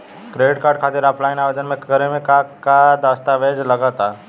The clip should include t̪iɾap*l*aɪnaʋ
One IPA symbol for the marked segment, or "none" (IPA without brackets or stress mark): l